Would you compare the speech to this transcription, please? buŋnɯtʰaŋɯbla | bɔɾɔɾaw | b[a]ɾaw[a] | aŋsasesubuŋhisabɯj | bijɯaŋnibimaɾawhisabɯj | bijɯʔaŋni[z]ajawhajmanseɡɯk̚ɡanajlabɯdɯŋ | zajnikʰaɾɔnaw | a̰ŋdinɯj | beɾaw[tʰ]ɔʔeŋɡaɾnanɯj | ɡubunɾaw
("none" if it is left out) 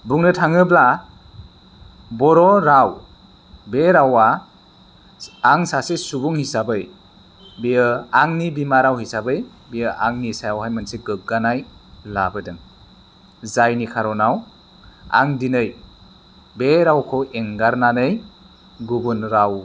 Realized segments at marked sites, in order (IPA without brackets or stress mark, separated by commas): e, a, s, kʰ